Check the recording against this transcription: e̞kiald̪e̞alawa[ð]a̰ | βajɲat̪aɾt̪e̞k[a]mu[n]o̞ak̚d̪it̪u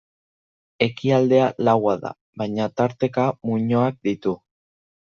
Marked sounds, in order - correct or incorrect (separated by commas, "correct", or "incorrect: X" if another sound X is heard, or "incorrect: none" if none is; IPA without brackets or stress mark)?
correct, correct, incorrect: ɲ